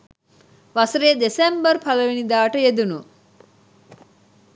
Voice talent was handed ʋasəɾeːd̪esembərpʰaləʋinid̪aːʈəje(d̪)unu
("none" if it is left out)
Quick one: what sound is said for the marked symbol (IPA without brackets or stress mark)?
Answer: d̪